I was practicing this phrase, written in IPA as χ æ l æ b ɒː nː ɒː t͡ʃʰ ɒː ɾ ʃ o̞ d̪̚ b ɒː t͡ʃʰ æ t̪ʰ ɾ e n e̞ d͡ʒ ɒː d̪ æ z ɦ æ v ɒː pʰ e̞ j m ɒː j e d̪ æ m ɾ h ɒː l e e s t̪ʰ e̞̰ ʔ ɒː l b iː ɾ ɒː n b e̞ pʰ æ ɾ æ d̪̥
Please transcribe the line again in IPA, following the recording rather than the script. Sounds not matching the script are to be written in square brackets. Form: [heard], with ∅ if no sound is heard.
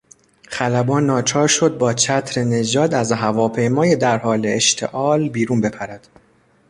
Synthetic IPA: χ æ l æ b ɒː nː ɒː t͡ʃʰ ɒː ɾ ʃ o̞ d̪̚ b ɒː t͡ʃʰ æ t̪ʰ ɾ e n e̞ d͡ʒ ɒː d̪ æ z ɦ æ v ɒː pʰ e̞ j m ɒː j e d̪ æ [∅] ɾ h ɒː l e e [ʃ] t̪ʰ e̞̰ ʔ ɒː l b iː ɾ [uː] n b e̞ pʰ æ ɾ æ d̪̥